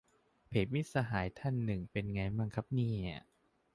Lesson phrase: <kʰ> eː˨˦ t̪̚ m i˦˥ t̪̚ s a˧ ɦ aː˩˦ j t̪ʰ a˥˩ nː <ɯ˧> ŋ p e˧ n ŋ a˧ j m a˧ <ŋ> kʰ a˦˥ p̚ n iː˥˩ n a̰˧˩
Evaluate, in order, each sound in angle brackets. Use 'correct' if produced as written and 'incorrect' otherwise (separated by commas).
incorrect, incorrect, correct